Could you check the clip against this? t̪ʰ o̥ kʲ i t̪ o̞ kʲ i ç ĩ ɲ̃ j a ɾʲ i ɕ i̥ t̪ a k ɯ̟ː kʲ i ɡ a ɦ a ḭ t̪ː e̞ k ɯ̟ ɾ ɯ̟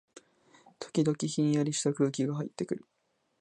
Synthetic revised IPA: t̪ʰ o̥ kʲ i d̪ o̞ kʲ i ç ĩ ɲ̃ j a ɾʲ i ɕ i̥ t̪ a k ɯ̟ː kʲ i ɡ a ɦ a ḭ t̪ː e̞ k ɯ̟ ɾ ɯ̟